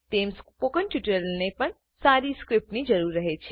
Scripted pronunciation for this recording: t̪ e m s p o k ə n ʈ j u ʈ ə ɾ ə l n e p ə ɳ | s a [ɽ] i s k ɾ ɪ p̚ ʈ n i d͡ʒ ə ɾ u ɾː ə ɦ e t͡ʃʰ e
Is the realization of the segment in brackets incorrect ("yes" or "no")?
yes